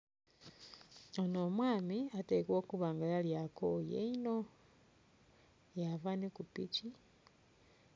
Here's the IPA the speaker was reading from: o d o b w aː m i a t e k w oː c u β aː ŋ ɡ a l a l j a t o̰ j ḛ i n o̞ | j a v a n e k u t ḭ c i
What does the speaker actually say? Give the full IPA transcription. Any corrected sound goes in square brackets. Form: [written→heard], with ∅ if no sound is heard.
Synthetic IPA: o [d→n] o [b→m] w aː m i a t e k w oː [c→k] u β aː ŋ ɡ a l a l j a [t→k] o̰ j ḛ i n o̞ | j a v a n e k u [t→p] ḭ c i